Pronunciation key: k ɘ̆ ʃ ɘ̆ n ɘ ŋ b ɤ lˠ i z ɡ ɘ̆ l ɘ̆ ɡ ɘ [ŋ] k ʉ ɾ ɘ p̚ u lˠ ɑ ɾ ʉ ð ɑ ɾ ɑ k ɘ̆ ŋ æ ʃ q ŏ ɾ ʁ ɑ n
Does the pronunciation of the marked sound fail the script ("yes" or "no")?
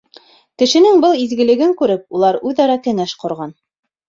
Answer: no